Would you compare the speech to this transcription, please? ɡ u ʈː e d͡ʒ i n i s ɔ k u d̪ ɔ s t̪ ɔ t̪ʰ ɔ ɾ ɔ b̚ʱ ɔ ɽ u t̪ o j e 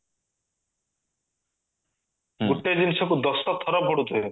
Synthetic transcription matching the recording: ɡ u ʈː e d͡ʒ i n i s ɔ k u d̪ ɔ s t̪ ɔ t̪ʰ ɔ ɾ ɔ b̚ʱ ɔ ɽ u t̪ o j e